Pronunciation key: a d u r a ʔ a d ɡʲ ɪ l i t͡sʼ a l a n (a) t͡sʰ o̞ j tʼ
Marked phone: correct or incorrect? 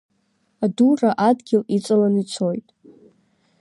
incorrect: i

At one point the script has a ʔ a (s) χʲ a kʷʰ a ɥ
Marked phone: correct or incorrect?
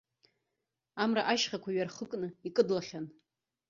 incorrect: ʃ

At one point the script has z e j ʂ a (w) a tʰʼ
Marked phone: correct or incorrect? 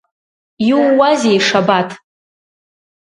incorrect: b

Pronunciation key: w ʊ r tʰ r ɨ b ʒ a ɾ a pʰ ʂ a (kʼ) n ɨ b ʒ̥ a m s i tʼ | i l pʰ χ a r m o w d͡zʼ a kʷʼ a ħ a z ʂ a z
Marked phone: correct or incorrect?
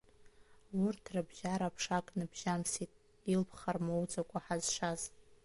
correct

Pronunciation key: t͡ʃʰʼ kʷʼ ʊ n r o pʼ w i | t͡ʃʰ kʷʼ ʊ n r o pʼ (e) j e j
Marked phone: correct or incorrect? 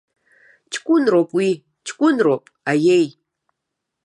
incorrect: a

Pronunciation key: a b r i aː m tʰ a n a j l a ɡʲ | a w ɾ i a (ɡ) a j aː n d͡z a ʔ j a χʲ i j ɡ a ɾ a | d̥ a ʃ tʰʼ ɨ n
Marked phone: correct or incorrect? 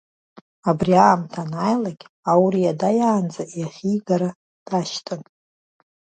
incorrect: d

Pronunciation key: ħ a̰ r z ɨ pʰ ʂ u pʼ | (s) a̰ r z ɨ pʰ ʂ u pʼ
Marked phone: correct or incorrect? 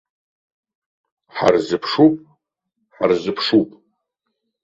incorrect: ħ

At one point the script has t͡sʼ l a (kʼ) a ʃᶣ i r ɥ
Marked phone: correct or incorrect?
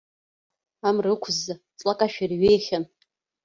correct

